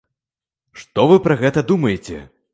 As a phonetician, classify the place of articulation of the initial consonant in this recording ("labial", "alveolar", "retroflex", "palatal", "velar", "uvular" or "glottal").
retroflex